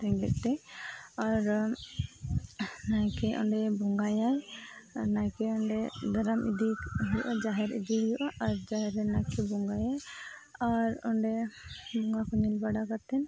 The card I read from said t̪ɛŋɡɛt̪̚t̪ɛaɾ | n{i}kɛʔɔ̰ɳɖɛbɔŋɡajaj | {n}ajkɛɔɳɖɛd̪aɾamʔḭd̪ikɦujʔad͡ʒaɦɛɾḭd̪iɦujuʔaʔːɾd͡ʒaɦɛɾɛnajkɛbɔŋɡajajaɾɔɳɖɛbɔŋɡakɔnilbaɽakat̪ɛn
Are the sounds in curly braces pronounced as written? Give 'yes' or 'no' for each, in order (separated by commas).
no, yes